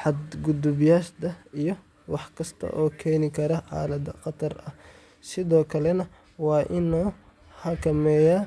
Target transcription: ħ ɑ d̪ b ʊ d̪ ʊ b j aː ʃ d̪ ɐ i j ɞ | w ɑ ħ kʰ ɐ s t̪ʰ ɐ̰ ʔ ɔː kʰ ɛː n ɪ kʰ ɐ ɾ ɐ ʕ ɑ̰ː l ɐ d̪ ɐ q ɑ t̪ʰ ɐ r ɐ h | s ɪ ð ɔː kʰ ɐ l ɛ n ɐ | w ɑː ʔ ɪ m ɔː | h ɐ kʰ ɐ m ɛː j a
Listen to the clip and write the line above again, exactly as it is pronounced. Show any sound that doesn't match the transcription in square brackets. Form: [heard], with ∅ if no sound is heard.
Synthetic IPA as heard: ħ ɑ d̪ [ɡ] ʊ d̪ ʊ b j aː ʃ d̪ ɐ i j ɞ | w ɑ ħ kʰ ɐ s t̪ʰ ɐ̰ ʔ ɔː kʰ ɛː n ɪ kʰ ɐ ɾ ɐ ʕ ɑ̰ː l ɐ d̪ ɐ q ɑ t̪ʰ ɐ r ɐ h | s ɪ ð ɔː kʰ ɐ l ɛ n ɐ | w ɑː ʔ ɪ [n] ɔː | h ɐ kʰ ɐ m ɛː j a